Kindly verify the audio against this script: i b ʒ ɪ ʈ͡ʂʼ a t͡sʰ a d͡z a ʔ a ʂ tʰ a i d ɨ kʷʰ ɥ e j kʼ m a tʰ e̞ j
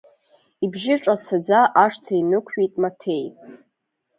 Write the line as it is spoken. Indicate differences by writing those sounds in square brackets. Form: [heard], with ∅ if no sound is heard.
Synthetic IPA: i b ʒ ɪ ʈ͡ʂʼ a t͡sʰ a d͡z a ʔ a ʂ tʰ a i [n] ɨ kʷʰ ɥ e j [tʼ] m a tʰ e̞ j